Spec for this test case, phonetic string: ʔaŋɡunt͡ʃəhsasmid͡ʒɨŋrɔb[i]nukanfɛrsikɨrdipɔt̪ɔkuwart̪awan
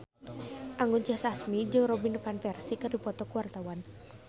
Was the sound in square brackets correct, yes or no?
yes